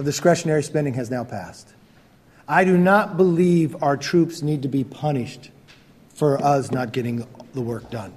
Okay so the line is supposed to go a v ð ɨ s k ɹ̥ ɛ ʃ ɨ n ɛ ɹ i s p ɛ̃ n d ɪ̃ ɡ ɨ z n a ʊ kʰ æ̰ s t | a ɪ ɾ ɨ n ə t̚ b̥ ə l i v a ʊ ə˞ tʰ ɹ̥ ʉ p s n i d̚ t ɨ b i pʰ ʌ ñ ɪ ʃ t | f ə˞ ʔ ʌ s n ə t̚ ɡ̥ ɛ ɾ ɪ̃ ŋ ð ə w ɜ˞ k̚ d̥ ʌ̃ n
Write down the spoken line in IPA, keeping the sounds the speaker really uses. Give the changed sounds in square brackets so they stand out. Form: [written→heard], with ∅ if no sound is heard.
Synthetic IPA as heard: [a→ʌ] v ð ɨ s k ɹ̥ ɛ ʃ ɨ n ɛ ɹ i s p ɛ̃ n d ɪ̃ [ɡ→ŋ] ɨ z n a ʊ [kʰ→pʰ] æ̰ s t | a ɪ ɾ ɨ n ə t̚ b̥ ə l i v a ʊ ə˞ tʰ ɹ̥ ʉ p s n i d̚ t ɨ b i pʰ ʌ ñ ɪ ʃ t | f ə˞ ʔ ʌ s n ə t̚ ɡ̥ ɛ ɾ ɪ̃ ŋ ð ə w ɜ˞ k̚ d̥ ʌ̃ n